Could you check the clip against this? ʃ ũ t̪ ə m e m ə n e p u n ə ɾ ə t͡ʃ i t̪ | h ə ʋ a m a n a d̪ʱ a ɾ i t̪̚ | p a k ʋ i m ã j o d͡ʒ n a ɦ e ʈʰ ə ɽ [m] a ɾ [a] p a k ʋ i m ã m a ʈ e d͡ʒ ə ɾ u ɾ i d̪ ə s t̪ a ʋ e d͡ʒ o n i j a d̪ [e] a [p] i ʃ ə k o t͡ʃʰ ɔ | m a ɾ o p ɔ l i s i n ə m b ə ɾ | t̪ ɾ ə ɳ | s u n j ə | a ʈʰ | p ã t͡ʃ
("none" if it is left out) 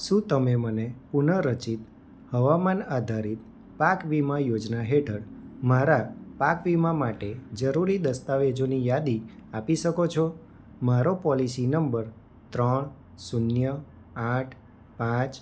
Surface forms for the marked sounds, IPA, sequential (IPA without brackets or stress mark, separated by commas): m, a, i, p